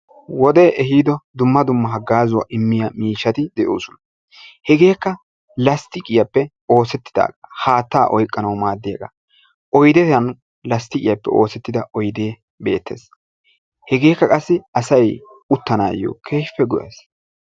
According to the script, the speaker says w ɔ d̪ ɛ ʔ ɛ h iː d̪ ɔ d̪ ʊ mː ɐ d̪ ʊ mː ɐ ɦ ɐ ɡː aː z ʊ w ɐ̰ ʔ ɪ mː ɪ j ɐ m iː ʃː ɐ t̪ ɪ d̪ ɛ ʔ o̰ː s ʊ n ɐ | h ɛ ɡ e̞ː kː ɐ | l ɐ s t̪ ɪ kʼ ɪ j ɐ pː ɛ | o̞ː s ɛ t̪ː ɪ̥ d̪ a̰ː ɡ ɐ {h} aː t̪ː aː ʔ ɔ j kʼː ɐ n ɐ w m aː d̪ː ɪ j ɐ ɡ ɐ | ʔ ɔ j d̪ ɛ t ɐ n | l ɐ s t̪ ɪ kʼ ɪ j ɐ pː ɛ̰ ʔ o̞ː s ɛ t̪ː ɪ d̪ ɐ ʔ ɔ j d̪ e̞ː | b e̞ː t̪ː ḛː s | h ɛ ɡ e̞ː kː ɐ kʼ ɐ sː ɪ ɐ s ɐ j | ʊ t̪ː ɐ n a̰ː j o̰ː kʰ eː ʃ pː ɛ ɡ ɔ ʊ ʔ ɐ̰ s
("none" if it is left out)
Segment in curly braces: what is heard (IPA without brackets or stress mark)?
h